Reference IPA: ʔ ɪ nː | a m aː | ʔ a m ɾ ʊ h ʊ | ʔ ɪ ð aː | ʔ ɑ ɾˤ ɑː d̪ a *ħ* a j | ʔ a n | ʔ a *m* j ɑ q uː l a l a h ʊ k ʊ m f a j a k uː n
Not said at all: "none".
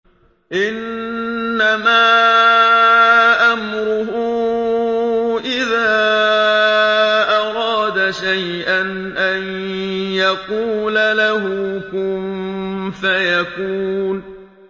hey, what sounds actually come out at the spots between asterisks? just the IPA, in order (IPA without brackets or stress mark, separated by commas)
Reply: ʃ, n